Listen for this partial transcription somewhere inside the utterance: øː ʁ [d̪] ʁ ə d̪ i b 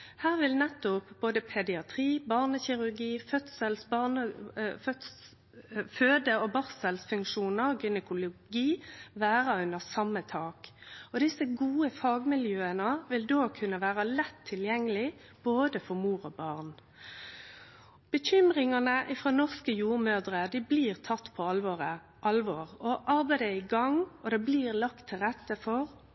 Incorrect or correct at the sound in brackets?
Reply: correct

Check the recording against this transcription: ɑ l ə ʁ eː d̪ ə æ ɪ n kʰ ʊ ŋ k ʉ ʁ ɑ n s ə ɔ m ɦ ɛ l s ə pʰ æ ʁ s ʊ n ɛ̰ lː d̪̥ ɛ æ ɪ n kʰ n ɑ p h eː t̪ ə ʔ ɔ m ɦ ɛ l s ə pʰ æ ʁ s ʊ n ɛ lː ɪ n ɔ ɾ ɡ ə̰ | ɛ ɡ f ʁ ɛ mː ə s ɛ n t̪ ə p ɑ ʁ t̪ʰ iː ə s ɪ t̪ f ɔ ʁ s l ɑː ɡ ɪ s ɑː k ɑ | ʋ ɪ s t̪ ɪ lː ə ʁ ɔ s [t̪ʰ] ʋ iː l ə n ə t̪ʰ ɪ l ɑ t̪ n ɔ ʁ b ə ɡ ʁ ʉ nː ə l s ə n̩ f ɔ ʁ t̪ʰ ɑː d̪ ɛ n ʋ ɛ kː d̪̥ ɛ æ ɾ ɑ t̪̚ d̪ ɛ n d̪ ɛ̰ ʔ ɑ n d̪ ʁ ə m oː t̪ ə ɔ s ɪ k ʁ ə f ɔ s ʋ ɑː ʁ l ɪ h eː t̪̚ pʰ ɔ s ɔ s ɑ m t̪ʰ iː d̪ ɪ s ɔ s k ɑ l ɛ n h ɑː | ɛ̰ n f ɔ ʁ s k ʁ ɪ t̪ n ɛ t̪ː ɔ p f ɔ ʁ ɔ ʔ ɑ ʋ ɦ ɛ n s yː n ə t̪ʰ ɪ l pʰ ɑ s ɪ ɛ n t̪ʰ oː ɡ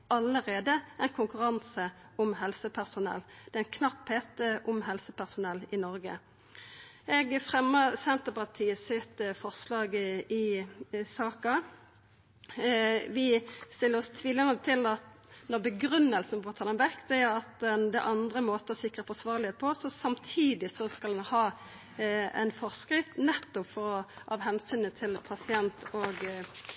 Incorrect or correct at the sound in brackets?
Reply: correct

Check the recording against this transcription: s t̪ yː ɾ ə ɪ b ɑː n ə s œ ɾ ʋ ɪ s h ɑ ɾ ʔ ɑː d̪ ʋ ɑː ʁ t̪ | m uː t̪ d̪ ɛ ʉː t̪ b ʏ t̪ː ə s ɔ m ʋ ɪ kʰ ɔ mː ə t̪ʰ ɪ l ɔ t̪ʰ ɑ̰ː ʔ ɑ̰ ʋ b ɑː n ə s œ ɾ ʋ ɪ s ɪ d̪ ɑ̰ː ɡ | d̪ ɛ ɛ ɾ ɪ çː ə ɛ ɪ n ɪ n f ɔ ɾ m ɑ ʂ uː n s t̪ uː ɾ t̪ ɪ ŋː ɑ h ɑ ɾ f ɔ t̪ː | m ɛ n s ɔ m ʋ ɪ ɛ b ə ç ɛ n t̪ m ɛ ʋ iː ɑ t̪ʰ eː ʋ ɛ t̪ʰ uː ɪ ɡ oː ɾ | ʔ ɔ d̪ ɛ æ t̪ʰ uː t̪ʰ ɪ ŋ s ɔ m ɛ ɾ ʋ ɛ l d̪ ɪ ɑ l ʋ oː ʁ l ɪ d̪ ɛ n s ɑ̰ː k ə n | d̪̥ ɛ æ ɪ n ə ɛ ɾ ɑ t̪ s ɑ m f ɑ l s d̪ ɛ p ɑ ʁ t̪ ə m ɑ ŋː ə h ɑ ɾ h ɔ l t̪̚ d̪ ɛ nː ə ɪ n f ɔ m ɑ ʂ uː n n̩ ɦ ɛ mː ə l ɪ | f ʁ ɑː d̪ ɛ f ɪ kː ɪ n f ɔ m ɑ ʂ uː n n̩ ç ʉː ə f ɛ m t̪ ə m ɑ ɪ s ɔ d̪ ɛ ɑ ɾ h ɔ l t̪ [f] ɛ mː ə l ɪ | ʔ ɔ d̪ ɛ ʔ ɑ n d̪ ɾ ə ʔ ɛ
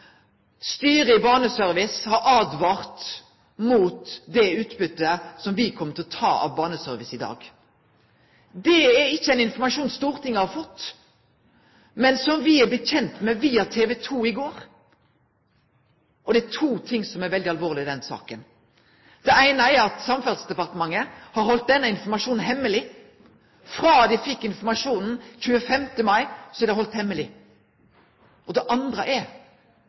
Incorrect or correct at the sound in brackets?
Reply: incorrect: h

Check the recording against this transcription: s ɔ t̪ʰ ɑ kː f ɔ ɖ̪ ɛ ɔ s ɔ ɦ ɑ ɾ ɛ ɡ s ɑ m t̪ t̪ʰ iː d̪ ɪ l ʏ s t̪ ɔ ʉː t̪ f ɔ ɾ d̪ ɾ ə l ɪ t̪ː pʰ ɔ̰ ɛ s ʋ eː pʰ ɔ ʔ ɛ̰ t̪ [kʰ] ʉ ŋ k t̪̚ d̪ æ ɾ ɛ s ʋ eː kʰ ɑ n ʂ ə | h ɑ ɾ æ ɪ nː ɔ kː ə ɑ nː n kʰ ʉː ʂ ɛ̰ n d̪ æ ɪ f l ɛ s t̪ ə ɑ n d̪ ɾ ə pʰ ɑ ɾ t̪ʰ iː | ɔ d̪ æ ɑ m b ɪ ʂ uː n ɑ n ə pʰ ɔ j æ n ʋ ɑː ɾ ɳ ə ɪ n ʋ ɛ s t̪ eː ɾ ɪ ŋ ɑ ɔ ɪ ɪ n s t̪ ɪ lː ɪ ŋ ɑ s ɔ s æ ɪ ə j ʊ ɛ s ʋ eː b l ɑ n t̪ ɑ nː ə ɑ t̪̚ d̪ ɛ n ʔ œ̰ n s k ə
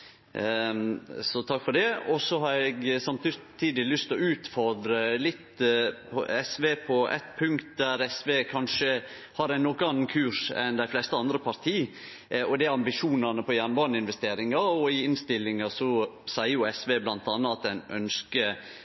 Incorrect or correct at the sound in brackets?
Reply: incorrect: pʰ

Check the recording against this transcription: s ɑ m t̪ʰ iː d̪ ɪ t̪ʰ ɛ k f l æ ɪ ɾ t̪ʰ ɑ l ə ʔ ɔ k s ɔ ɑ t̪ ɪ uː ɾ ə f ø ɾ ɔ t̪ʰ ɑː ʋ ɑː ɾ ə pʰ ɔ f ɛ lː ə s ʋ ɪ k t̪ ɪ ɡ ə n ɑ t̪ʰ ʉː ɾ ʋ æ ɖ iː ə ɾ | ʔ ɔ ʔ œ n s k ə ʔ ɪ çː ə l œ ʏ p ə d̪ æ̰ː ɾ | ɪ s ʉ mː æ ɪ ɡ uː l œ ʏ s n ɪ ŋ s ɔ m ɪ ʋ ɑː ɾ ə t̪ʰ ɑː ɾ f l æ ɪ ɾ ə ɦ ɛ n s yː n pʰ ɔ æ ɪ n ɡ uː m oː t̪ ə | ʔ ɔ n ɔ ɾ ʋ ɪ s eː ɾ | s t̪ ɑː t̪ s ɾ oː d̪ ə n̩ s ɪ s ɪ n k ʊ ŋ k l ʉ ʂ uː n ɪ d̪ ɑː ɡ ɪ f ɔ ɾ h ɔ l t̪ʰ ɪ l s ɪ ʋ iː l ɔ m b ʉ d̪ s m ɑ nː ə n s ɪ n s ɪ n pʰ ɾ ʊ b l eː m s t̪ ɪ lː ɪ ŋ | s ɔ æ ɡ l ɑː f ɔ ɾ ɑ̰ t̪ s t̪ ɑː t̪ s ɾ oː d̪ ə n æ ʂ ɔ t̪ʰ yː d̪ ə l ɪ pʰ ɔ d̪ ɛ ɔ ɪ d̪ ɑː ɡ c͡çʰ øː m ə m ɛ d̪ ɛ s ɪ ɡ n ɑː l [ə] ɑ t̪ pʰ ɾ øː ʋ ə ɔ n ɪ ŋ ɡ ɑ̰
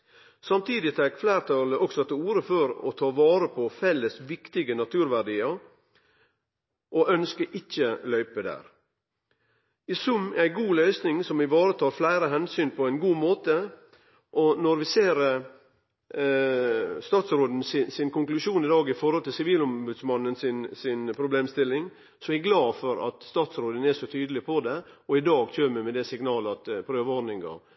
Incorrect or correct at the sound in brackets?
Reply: correct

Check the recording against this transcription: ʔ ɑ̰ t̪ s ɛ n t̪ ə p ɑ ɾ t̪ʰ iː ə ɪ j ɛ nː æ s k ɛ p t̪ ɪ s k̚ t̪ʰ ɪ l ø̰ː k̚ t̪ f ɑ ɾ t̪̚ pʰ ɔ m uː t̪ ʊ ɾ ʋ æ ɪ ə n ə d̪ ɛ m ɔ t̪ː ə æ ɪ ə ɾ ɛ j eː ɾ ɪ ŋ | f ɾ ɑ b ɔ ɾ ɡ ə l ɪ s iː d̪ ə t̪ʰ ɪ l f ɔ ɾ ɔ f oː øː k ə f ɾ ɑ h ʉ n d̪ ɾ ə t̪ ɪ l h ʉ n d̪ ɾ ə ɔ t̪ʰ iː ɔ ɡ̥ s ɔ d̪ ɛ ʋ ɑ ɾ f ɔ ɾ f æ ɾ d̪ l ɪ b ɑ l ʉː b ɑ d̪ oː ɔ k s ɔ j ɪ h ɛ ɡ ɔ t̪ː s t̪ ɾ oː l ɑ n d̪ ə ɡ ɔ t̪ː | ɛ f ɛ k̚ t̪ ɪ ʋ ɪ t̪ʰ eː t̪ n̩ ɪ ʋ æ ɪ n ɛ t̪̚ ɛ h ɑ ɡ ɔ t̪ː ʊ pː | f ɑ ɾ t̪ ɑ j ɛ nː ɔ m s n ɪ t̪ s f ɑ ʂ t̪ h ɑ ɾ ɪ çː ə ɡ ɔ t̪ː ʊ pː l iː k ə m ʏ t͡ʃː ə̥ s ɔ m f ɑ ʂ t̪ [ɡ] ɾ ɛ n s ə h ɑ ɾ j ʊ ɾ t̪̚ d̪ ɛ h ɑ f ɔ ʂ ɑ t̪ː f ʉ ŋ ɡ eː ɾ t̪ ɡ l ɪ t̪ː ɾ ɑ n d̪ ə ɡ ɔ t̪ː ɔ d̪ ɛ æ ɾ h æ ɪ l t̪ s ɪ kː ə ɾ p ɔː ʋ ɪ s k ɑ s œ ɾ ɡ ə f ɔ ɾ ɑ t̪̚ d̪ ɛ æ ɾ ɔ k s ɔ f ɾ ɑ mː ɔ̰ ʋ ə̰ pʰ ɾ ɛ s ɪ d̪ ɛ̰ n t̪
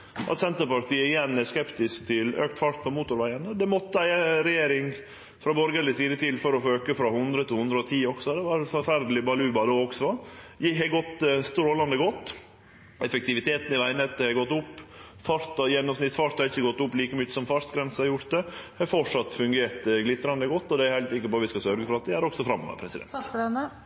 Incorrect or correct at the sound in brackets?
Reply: correct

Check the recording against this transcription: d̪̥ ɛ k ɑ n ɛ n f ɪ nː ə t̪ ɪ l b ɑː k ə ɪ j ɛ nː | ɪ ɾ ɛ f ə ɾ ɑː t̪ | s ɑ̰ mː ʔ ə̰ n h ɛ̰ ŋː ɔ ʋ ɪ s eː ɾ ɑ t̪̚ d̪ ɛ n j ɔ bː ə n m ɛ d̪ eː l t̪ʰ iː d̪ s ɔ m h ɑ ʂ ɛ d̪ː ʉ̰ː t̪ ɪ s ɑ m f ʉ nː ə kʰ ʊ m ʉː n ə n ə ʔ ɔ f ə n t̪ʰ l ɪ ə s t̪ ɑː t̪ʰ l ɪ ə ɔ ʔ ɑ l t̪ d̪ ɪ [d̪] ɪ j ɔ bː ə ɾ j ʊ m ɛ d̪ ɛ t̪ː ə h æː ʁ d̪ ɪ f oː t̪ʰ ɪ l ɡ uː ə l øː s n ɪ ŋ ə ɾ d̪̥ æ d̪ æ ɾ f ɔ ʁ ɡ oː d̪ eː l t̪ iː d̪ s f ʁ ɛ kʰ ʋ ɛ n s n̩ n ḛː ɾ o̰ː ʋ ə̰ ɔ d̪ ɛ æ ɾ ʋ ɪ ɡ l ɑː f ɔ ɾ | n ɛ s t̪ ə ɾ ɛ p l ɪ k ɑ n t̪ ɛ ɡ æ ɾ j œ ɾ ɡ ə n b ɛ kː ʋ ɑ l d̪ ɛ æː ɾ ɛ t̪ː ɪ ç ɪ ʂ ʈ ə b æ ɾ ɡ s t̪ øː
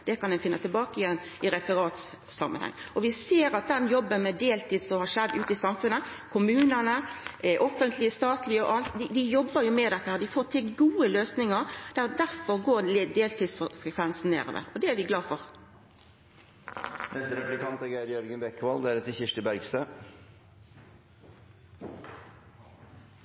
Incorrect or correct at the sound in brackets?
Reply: correct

